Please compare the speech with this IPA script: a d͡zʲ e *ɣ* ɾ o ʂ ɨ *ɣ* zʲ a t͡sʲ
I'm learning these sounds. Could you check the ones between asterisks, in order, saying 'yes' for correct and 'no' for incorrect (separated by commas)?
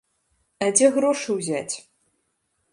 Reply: yes, no